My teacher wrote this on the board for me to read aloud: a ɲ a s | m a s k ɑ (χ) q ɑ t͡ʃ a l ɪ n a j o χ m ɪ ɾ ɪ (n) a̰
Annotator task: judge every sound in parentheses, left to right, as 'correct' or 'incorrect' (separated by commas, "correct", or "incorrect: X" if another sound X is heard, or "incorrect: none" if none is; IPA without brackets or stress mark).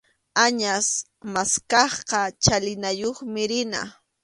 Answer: correct, correct